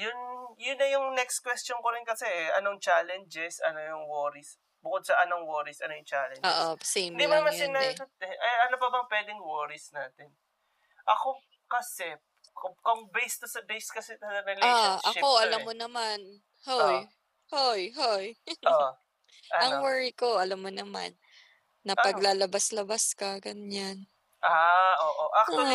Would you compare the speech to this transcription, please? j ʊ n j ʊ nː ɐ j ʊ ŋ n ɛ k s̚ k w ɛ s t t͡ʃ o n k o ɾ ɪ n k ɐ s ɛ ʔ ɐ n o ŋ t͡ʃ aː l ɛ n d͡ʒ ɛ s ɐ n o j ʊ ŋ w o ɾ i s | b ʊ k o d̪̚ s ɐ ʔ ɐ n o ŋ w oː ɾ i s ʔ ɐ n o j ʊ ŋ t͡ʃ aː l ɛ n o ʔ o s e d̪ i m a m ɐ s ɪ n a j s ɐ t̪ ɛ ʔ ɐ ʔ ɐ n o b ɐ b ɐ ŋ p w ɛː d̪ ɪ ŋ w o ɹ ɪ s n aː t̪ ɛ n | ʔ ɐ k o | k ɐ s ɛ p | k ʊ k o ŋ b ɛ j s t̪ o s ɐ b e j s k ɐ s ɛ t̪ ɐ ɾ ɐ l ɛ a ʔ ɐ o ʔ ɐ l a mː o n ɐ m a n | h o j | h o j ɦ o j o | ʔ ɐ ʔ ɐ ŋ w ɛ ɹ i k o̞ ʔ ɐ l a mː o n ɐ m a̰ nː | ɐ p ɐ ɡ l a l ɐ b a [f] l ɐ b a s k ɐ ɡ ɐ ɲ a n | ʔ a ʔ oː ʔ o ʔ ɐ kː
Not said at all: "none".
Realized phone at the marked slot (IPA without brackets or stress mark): s